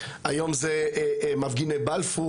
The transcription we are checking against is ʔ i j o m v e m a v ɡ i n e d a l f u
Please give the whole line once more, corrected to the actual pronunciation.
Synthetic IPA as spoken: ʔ a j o m z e m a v ɡ i n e b a l f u